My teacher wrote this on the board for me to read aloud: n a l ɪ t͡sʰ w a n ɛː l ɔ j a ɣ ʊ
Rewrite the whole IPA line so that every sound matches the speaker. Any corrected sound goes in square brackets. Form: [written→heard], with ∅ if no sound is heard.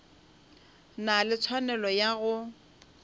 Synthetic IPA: n a l ɪ t͡sʰ w a n [ɛː→ɛ] l ɔ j a ɣ ʊ